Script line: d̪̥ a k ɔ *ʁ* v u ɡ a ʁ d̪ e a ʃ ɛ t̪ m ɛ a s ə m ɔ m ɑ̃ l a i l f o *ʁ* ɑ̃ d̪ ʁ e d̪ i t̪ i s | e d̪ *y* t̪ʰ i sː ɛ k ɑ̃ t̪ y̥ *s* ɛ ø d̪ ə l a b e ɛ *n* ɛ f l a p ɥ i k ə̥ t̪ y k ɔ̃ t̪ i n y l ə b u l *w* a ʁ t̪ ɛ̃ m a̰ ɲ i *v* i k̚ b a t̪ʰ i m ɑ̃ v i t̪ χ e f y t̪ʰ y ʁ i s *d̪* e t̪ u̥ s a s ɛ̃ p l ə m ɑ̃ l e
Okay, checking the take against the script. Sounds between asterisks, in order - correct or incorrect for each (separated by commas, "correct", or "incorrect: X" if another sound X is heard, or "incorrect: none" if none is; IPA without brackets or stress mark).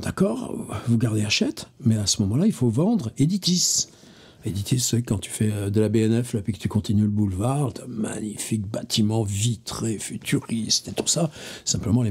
correct, incorrect: v, incorrect: i, incorrect: f, correct, incorrect: v, incorrect: f, incorrect: t̪